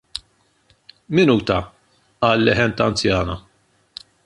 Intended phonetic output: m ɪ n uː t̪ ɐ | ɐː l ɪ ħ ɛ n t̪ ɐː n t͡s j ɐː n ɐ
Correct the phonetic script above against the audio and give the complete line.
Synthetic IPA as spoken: m ɪ n uː t̪ ɐ | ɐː lː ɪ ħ ɛ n t̪ ɐ n t͡s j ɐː n ɐ